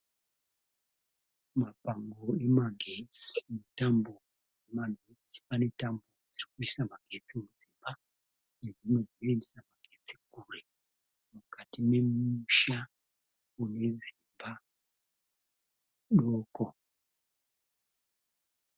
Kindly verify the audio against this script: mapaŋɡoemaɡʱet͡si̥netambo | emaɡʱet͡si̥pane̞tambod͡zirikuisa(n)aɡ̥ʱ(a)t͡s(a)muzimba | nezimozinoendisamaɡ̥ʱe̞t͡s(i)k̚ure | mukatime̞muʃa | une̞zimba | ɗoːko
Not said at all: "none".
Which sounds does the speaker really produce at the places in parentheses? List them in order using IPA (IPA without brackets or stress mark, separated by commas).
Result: m, e, i, i